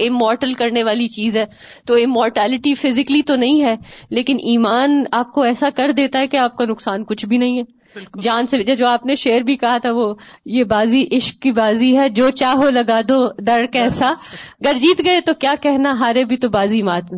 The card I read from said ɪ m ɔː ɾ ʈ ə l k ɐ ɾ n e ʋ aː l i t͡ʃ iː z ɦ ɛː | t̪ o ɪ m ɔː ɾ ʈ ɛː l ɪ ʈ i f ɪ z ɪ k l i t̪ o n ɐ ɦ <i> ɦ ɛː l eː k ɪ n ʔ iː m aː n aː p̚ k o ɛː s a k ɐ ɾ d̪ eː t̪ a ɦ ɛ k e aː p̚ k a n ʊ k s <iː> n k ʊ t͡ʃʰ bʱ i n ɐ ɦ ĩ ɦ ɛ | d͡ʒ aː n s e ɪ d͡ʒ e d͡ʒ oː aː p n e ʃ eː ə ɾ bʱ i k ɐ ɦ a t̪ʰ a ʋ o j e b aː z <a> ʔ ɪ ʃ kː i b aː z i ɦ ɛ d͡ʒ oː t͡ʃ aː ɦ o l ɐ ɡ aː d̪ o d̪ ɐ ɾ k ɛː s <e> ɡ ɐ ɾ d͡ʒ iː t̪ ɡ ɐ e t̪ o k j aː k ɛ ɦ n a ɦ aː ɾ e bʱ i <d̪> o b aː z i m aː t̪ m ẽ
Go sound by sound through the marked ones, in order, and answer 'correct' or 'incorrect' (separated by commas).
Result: incorrect, incorrect, incorrect, incorrect, incorrect